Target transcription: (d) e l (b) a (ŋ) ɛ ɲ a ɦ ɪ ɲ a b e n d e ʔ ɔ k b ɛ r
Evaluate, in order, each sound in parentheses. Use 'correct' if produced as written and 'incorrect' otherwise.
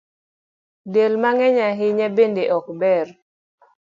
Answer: correct, incorrect: m, correct

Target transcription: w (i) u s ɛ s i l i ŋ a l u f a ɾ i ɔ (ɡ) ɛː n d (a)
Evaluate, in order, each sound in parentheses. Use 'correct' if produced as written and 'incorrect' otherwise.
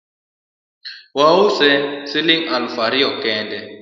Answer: incorrect: a, incorrect: k, incorrect: ɛ

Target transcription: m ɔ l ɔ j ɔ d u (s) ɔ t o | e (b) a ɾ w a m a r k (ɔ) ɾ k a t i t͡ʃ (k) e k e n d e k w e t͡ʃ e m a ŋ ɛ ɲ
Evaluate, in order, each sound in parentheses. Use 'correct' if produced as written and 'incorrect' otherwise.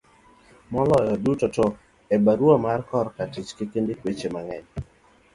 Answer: incorrect: t, correct, correct, correct

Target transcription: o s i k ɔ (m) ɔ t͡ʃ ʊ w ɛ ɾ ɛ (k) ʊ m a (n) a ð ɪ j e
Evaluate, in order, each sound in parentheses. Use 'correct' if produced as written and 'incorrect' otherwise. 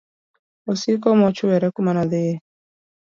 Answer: correct, correct, correct

